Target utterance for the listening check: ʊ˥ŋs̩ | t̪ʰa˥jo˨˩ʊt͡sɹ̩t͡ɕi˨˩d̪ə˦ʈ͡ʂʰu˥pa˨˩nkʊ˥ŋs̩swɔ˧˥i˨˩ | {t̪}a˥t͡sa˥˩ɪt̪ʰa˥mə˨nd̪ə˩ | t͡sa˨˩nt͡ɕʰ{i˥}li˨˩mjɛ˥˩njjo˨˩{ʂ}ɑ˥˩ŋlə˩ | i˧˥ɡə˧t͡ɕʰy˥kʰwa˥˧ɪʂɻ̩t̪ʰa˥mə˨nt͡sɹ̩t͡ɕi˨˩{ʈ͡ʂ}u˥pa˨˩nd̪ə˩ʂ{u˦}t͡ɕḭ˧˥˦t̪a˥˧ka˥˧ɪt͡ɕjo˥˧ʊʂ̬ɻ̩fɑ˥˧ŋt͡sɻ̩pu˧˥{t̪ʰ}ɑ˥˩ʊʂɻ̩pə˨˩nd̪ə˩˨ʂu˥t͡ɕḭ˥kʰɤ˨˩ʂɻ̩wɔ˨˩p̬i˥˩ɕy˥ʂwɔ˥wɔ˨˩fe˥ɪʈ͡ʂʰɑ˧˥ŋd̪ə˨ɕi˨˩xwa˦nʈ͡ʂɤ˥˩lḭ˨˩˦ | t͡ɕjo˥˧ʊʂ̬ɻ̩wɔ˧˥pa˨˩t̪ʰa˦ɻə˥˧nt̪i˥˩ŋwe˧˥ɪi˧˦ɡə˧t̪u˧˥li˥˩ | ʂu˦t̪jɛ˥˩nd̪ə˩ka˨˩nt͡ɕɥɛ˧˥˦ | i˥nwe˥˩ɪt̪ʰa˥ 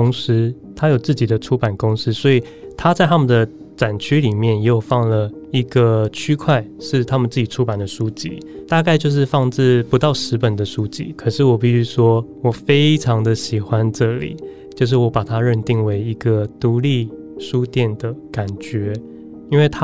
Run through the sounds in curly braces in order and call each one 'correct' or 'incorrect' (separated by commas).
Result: incorrect, incorrect, incorrect, incorrect, correct, incorrect